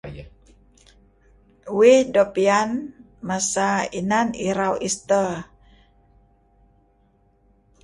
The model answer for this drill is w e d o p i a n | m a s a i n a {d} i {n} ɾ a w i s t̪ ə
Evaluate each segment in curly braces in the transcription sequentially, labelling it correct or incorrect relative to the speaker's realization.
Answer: incorrect, incorrect

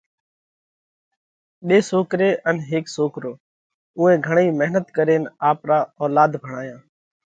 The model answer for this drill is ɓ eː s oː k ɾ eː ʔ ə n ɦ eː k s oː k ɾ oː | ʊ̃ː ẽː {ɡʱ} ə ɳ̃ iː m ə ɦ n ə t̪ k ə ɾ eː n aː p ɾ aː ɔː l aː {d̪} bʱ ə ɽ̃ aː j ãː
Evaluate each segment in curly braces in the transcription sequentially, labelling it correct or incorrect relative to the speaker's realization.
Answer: correct, correct

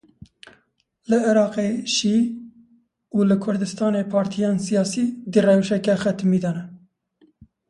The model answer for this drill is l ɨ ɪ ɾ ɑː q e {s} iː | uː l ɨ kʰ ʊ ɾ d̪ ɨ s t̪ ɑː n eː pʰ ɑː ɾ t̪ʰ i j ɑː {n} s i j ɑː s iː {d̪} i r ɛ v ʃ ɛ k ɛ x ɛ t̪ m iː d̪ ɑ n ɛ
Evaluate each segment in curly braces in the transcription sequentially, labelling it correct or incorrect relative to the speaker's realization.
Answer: incorrect, correct, correct

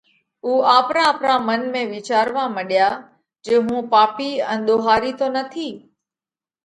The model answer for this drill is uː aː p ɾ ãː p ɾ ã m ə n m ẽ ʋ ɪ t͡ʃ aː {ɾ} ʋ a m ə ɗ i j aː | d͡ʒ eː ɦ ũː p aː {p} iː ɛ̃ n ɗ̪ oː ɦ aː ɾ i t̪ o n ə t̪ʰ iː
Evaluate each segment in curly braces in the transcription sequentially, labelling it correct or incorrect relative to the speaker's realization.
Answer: correct, correct

